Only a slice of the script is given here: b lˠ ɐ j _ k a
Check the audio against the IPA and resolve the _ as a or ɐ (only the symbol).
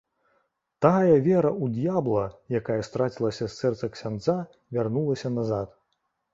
a